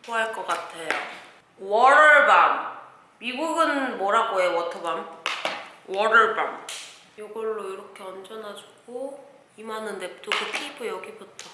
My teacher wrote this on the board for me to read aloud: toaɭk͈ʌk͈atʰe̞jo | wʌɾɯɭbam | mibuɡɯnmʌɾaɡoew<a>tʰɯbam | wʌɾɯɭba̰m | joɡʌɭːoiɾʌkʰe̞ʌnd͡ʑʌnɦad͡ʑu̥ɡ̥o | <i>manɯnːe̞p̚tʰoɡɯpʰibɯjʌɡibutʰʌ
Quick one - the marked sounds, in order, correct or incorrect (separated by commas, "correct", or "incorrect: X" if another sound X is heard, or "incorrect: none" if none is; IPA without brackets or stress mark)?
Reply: incorrect: ʌ, correct